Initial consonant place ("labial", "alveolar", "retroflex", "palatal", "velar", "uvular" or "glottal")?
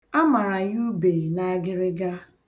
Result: labial